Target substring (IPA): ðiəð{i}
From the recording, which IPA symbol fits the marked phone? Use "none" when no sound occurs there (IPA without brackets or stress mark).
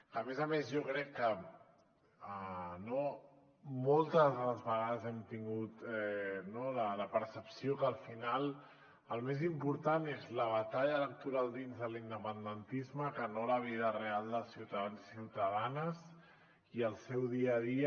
i